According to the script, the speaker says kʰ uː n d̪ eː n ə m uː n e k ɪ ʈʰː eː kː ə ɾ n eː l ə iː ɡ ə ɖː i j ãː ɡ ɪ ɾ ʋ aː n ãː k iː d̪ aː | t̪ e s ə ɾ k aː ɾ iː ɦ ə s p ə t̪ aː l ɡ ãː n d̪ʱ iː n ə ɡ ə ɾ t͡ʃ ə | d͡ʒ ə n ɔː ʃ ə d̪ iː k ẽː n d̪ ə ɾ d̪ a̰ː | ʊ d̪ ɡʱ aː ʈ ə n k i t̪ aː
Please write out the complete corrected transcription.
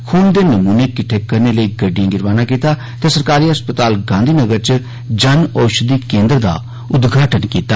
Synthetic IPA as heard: kʰ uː n d̪ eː n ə m uː n e k ɪ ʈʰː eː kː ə ɾ n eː l ə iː ɡ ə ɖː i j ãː ɡ ɪ ɾ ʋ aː n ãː k iː t̪ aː | t̪ e s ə ɾ k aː ɾ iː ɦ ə s p ə t̪ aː l ɡ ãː n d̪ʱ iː n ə ɡ ə ɾ t͡ʃ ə | d͡ʒ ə n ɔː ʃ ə d̪ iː k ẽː n d̪ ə ɾ d̪ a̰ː | ʊ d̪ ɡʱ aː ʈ ə n k iː t̪ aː

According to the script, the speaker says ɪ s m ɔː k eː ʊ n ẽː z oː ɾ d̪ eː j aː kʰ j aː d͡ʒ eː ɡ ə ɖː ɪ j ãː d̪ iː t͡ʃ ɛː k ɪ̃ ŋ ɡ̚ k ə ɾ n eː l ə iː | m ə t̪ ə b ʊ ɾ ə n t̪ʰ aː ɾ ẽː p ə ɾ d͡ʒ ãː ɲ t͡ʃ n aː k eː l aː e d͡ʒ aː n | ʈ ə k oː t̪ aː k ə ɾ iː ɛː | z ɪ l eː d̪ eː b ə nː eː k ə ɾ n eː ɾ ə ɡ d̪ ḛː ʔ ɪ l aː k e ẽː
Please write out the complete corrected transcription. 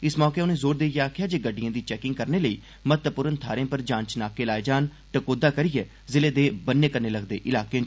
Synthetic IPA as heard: ɪ s m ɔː k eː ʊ n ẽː z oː ɾ d̪ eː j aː kʰ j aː d͡ʒ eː ɡ ə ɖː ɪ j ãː d̪ iː t͡ʃ ɛː k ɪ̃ ŋ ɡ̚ k ə ɾ n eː l ə iː | m ə t̪ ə p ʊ ɾ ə n t̪ʰ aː ɾ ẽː p ə ɾ d͡ʒ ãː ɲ t͡ʃ n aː k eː l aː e d͡ʒ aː n | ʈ ə k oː d̪ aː k ə ɾ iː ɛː | z ɪ l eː d̪ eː b ə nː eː k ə ɾ n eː l ə ɡ d̪ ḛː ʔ ɪ l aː k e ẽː

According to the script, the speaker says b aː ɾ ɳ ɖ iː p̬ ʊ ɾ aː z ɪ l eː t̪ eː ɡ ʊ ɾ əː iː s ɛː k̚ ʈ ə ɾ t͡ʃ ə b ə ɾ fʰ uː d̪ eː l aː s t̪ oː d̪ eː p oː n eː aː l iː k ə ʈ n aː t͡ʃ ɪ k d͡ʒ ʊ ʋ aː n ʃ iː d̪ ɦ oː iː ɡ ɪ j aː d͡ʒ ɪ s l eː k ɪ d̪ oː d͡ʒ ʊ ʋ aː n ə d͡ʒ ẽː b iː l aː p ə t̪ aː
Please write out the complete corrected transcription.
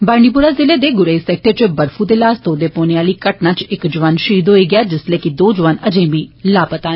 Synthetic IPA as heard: b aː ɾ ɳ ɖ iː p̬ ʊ ɾ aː z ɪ l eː d̪ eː ɡ ʊ ɾ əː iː s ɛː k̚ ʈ ə ɾ t͡ʃ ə b ə ɾ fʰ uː d̪ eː l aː s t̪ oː d̪ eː p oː n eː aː l iː k ə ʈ n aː t͡ʃ ɪ k d͡ʒ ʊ ʋ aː n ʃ iː d̪ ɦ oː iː ɡ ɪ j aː d͡ʒ ɪ s l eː k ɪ d̪ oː d͡ʒ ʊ ʋ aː n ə d͡ʒ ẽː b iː l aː p ə t̪ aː

